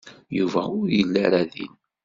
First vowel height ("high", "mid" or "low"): high